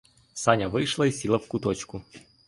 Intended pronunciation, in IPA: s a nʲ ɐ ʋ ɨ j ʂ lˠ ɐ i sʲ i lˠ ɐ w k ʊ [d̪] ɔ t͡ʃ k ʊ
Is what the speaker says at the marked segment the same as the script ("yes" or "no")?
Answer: no